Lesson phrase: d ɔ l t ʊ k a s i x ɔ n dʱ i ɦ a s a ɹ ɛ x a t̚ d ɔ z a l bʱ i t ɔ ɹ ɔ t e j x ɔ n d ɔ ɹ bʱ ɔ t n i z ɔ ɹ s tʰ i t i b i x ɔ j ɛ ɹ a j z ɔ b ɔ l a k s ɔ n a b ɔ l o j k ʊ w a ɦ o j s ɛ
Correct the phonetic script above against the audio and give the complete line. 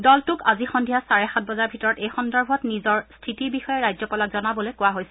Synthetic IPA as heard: d ɔ l t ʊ k a z i x ɔ n dʱ i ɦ a s a ɹ ɛ x a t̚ b ɔ z a ɹ bʱ i t ɔ ɹ ɔ t e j x ɔ n d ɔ ɹ bʱ ɔ t n i z ɔ ɹ s tʰ i t i b i x ɔ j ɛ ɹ a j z ɔ p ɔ l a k z ɔ n a b ɔ l o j k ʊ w a ɦ o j s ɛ